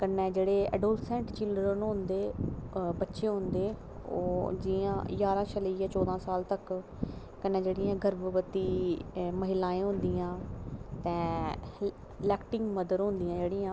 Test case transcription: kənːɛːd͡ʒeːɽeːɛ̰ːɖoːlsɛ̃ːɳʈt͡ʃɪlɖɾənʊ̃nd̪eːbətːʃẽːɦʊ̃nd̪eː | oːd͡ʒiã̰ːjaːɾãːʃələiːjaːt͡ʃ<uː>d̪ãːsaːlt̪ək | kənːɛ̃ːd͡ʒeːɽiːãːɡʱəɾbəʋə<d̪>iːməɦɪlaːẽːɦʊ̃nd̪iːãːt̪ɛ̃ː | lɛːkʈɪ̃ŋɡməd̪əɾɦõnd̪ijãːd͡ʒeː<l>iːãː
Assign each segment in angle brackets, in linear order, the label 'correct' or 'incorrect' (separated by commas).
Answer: incorrect, incorrect, incorrect